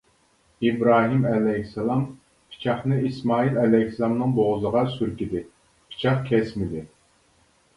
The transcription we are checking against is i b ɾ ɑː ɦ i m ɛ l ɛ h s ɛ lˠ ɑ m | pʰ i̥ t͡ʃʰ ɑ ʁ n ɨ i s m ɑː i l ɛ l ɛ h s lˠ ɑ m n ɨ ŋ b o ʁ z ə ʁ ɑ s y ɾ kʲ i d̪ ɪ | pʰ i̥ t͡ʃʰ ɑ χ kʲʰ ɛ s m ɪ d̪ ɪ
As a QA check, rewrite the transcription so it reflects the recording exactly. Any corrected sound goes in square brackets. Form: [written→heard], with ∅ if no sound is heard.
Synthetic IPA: i b ɾ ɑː ɦ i m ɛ l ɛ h s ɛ lˠ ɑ m | pʰ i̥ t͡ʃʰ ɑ [ʁ→χ] n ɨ i s m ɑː i l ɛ l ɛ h s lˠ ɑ m n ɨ ŋ b o ʁ z ə ʁ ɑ s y ɾ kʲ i d̪ ɪ | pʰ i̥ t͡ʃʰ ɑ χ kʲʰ ɛ s m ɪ d̪ ɪ